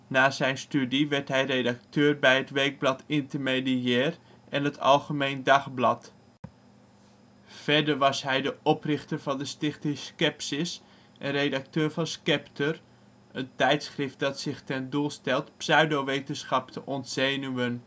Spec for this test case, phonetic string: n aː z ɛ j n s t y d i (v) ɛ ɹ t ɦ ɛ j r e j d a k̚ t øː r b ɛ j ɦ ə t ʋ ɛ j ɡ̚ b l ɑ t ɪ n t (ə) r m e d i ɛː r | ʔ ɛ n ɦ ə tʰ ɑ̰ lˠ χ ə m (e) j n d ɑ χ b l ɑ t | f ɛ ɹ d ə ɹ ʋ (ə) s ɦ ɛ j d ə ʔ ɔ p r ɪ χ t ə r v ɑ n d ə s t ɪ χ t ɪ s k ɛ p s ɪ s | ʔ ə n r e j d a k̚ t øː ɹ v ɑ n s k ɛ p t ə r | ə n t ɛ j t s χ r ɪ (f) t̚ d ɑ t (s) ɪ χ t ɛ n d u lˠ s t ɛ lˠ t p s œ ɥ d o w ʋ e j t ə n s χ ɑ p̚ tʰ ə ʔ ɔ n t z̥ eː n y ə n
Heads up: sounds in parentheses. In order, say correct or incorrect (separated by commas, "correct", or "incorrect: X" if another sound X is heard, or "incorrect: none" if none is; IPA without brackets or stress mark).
incorrect: ʋ, correct, correct, incorrect: ɑ, correct, correct